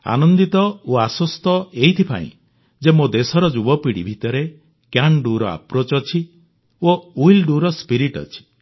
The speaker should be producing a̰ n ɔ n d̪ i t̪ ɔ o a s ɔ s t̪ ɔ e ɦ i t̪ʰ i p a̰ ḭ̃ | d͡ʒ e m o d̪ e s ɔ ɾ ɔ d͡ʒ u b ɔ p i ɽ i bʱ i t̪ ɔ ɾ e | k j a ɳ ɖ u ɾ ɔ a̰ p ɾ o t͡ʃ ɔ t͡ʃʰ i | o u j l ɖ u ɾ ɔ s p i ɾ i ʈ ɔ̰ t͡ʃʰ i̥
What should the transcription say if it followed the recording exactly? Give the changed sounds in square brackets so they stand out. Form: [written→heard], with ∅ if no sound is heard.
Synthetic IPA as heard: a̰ n ɔ n d̪ i t̪ ɔ o a s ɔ s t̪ ɔ e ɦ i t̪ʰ i p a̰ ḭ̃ | d͡ʒ e m o d̪ e s ɔ ɾ ɔ d͡ʒ u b ɔ p i ɽ i bʱ i t̪ ɔ ɾ e | k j a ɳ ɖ u ɾ ɔ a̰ p ɾ o t͡ʃ ɔ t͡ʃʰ i | o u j l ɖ u ɾ ɔ s p i ɾ i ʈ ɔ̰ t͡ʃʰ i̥